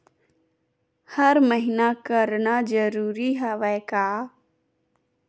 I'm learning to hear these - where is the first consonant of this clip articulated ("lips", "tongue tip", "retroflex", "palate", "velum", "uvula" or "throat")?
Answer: throat